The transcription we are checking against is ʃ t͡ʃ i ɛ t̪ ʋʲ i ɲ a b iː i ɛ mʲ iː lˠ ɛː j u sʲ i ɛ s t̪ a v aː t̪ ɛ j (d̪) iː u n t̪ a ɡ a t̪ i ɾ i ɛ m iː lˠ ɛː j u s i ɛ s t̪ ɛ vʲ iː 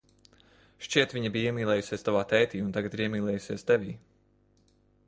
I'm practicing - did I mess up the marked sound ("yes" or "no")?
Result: yes